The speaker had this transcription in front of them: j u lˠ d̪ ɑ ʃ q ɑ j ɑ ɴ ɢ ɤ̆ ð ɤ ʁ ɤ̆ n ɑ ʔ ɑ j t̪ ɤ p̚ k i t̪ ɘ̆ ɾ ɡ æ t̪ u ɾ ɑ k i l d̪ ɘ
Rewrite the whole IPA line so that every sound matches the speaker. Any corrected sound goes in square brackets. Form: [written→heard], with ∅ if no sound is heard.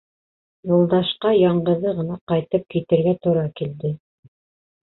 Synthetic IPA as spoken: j u lˠ d̪ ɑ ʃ q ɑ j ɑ ɴ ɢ ɤ̆ ð ɤ ʁ ɤ̆ n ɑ [ʔ→q] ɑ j t̪ ɤ p̚ k i t̪ ɘ̆ ɾ ɡ æ t̪ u ɾ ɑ k i l d̪ ɘ